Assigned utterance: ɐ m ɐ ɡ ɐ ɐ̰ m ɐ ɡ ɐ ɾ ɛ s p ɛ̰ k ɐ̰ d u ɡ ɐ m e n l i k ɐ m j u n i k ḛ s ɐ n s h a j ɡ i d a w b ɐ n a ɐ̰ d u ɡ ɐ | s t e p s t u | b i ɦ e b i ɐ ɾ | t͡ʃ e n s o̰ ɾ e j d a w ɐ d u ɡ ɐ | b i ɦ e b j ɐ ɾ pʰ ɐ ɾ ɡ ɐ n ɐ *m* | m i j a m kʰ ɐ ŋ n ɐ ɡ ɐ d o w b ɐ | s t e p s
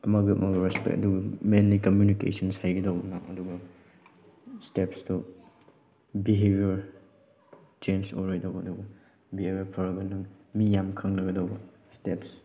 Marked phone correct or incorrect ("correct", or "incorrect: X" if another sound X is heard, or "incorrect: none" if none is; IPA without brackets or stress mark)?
incorrect: ŋ